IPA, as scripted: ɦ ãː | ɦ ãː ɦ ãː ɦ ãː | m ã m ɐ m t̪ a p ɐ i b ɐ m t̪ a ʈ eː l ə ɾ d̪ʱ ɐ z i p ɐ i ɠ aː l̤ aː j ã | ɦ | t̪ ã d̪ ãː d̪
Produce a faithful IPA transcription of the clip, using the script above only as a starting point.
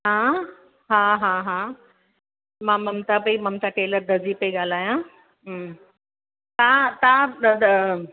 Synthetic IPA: ɦ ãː | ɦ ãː ɦ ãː ɦ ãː | m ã m ɐ m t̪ a p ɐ i m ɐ m t̪ a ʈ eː l ə ɾ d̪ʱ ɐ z i p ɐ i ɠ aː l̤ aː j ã | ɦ | t̪ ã t̪ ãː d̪